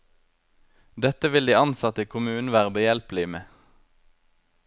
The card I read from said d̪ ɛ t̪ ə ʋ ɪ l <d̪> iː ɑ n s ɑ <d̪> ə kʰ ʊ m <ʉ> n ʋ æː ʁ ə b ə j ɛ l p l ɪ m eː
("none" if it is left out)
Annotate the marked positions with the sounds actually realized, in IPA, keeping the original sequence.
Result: d̪, t̪, ʉː

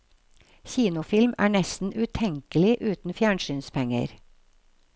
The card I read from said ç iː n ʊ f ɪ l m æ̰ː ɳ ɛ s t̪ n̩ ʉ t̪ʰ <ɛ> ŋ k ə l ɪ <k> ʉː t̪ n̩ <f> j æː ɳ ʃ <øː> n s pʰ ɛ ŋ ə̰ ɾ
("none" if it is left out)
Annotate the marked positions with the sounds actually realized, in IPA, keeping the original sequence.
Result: ɛ, ʔ, f, yː

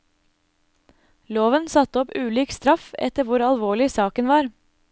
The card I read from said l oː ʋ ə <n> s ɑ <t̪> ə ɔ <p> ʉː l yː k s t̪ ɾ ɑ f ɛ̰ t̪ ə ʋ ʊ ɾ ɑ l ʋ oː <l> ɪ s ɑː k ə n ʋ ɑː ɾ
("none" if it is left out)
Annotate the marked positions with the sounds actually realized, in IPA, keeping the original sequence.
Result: n, t̪, p, ɭ

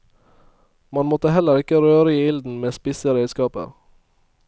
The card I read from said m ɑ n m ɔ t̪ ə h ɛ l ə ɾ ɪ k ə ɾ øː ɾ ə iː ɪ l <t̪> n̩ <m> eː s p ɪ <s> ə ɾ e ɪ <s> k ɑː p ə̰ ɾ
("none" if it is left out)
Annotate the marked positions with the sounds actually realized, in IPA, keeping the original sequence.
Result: d̪, m, s, s

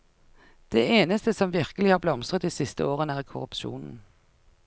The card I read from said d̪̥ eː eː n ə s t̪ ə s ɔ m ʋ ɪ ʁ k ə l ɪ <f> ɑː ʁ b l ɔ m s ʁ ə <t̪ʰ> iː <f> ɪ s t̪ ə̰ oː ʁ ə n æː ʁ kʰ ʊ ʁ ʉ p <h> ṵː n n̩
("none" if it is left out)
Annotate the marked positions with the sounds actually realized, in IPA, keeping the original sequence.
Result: h, t̪, s, ʃ

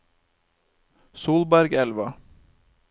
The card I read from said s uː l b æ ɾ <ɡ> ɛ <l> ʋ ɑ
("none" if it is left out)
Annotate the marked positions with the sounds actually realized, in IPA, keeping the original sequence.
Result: ɡ, l

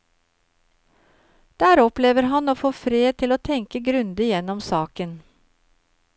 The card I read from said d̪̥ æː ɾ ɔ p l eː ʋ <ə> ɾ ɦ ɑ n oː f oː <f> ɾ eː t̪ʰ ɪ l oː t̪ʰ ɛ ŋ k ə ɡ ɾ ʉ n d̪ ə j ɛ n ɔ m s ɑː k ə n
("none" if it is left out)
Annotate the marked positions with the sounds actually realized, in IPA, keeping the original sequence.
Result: ə, f

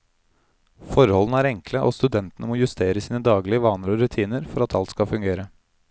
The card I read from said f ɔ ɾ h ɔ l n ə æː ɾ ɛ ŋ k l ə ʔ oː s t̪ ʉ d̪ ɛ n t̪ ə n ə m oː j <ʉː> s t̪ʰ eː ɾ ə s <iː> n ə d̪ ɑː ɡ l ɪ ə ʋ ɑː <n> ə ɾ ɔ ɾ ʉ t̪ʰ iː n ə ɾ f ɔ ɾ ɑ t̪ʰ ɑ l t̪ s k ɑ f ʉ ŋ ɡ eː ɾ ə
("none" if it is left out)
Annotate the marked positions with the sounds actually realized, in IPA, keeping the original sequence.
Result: ʉ, iː, n

